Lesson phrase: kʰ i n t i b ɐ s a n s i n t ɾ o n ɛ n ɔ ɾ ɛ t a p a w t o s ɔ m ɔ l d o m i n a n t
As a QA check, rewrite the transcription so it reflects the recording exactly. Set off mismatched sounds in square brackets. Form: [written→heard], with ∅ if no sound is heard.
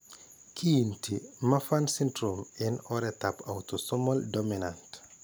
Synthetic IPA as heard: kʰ i n t i [b→m] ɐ [s→f] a n s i n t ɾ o [n→m] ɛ n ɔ ɾ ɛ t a p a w t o s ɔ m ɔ l d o m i n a n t